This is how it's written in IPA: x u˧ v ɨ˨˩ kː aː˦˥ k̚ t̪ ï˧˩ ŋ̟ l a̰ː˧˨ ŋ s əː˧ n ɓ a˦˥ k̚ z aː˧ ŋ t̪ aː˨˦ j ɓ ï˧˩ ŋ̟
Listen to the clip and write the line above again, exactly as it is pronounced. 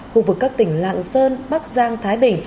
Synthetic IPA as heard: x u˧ v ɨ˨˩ kː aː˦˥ k̚ t̪ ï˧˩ ŋ̟ l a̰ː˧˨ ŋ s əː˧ n ɓ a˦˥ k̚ z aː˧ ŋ t̪ʰ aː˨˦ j ɓ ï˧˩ ŋ̟